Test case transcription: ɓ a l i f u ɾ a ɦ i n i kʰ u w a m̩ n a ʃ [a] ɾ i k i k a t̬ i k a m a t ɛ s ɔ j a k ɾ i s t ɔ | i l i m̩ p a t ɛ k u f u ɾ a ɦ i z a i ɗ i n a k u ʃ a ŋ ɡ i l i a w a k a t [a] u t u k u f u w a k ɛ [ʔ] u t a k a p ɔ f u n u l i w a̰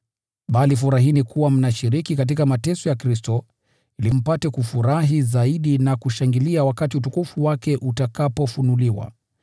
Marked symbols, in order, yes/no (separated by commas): no, no, yes